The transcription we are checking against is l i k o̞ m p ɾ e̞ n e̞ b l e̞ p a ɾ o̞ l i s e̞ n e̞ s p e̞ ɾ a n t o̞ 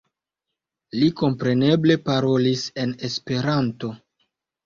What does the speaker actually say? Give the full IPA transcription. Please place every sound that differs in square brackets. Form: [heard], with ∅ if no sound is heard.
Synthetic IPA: l i k o̞ m p ɾ e̞ n e̞ b l e̞ p a ɾ o̞ l i s e̞ n e̞ s p e̞ ɾ a n t o̞